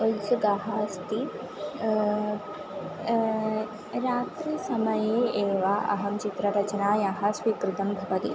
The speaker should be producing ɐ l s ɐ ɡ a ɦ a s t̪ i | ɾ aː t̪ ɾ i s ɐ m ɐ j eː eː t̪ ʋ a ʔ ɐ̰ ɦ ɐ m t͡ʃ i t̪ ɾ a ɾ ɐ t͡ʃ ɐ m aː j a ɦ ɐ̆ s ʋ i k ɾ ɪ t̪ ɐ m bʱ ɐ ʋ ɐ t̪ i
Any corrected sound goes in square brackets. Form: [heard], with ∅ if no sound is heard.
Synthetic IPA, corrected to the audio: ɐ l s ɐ ɡ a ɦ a s t̪ i | ɾ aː t̪ ɾ i s ɐ m ɐ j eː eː [∅] ʋ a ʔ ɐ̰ ɦ ɐ m t͡ʃ i t̪ ɾ [ɐ] ɾ ɐ t͡ʃ ɐ [n] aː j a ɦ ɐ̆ s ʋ i k ɾ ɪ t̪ ɐ m bʱ ɐ ʋ ɐ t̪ i